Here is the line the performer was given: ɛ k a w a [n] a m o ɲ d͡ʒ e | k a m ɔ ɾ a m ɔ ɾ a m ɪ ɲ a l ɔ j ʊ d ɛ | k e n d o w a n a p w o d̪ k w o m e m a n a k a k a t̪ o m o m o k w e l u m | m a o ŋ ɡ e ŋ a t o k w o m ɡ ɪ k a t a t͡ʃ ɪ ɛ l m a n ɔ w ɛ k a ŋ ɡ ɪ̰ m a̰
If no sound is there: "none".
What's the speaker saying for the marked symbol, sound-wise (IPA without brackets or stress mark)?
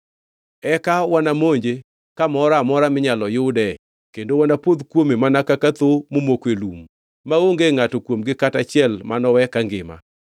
n